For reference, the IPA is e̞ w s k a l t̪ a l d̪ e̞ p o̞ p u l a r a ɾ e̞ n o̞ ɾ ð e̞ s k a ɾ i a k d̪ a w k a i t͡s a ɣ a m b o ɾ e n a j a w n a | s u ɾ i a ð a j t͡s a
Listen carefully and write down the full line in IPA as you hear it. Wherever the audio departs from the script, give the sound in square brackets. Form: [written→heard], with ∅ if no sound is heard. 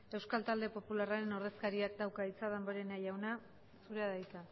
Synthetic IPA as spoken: e̞ w s k a l t̪ a l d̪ e̞ p o̞ p u l a r a ɾ e̞ n o̞ ɾ ð e̞ s k a ɾ i a k d̪ a w k a i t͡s a [ɣ→ð] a m b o ɾ e n a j a w n a | s u ɾ [i→e] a ð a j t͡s a